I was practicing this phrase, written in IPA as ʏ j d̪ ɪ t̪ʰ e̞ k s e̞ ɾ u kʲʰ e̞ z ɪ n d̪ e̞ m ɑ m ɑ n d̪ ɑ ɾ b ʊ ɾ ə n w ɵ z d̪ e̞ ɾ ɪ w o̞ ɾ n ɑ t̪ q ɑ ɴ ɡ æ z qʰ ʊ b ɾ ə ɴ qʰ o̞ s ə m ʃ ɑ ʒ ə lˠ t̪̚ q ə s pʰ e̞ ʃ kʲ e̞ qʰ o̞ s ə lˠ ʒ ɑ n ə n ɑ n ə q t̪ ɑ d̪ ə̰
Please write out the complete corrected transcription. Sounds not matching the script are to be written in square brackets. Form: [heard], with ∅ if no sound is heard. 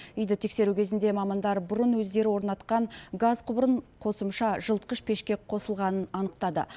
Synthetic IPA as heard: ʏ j d̪ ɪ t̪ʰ e̞ k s e̞ ɾ u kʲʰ e̞ z ɪ n d̪ e̞ m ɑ m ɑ n d̪ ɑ ɾ b ʊ ɾ ə n w ɵ z d̪ e̞ ɾ ɪ w o̞ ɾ n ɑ t̪ q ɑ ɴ ɡ [a] z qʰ ʊ b ɾ ə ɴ qʰ o̞ s ə m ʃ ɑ ʒ ə lˠ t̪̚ q ə [ʃ] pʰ e̞ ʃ kʲ e̞ qʰ o̞ s ə lˠ [ʁ] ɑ n ə n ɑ n ə q t̪ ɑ d̪ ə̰